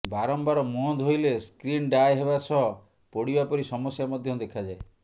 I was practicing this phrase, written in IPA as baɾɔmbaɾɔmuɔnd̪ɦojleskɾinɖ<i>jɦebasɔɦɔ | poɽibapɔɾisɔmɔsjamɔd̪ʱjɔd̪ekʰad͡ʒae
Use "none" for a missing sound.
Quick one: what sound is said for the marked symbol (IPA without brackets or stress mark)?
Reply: a